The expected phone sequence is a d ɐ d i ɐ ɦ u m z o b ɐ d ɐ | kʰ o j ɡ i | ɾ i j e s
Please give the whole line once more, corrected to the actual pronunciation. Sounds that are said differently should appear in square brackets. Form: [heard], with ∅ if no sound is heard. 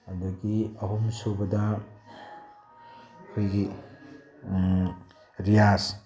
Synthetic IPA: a d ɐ [ɡ] i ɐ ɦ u m [s] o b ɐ d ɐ | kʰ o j ɡ i | ɾ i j [a] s